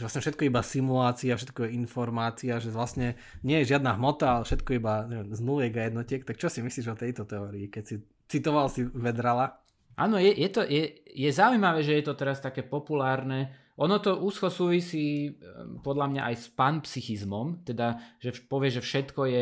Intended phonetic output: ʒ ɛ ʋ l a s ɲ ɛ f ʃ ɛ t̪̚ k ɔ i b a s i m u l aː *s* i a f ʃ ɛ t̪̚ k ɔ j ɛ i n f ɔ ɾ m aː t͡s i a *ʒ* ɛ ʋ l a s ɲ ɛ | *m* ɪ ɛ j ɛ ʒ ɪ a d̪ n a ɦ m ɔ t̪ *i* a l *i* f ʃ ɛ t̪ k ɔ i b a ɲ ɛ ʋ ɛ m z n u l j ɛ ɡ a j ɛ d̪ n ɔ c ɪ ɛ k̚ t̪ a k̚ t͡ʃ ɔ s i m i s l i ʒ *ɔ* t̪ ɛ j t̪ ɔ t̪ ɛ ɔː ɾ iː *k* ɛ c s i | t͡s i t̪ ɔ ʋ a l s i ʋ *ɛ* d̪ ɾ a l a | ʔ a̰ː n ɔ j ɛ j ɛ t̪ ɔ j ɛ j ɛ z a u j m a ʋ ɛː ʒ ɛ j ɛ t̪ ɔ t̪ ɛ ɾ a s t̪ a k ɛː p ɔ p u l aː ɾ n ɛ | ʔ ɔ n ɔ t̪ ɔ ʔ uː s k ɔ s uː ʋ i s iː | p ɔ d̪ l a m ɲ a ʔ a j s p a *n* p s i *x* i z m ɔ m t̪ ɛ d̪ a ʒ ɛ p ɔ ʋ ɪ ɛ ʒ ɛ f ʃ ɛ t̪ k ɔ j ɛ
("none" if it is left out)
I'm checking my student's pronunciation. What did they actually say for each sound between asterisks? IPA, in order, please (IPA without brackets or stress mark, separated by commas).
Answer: t͡s, ʒ, ɲ, a, ɛ, ɔ, k, ɛ, n, x